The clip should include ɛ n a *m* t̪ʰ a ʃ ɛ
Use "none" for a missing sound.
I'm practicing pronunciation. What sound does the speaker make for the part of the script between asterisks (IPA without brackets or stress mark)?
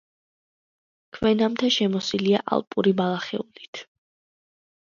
m